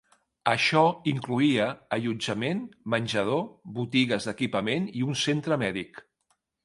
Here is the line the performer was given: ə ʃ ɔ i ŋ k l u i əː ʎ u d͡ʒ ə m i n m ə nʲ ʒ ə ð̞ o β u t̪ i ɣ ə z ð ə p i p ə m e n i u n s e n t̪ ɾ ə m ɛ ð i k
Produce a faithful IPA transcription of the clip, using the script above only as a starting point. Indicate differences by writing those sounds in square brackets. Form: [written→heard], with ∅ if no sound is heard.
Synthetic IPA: ə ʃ ɔ i ŋ k l u i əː ʎ u d͡ʒ ə m [i→e] n m ə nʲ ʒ ə ð̞ o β u t̪ i ɣ ə z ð ə [p→k] i p ə m e n i u n s e n t̪ ɾ ə m ɛ ð i k